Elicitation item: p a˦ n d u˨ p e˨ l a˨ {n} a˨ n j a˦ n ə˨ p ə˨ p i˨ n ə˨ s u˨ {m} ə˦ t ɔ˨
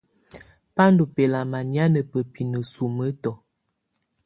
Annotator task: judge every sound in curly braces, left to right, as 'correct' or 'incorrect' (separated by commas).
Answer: incorrect, correct